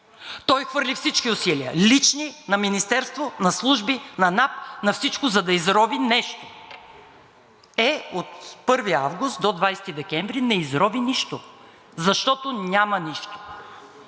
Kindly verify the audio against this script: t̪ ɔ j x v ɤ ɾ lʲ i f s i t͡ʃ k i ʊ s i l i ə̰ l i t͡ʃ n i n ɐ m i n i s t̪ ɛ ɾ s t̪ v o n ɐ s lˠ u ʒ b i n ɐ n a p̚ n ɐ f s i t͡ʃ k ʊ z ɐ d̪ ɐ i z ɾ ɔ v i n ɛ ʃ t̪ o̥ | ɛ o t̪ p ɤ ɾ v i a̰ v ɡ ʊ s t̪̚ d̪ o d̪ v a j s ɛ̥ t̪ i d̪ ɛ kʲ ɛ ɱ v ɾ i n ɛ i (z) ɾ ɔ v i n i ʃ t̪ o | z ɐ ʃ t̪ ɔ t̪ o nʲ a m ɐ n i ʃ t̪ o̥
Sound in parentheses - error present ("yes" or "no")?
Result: no